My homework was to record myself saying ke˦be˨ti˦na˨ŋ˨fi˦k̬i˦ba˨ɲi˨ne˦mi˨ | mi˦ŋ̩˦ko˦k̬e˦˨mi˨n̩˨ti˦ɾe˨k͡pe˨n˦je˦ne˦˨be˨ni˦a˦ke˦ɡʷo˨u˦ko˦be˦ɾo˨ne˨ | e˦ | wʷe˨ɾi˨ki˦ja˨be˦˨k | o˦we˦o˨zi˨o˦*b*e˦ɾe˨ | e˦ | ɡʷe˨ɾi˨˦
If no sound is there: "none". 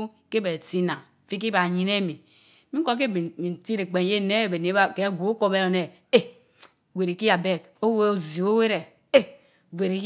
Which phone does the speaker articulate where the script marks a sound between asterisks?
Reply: w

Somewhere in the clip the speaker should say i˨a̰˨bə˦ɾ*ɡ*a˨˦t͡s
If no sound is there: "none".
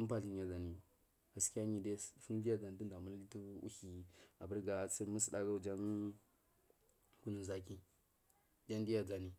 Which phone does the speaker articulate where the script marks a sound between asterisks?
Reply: ɡ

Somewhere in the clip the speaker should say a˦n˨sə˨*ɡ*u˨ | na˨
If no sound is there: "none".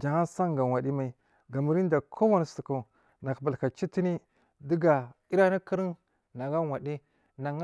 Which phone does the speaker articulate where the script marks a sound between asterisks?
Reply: k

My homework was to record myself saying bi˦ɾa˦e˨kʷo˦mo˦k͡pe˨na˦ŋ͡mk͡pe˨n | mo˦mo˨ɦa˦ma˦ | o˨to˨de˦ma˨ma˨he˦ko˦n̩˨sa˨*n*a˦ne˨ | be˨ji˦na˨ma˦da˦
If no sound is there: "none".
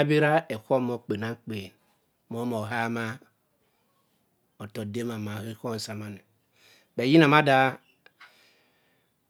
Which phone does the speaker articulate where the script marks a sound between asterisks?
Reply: m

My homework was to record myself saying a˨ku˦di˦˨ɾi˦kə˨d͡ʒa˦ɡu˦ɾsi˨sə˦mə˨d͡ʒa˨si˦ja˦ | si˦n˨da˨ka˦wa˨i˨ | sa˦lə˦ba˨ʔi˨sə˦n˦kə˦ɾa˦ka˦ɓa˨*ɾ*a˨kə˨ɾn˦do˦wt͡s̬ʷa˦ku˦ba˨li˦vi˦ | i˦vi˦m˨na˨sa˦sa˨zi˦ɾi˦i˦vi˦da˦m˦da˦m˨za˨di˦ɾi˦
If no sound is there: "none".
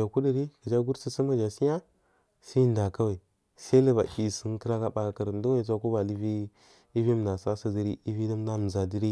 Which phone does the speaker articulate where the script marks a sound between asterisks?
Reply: none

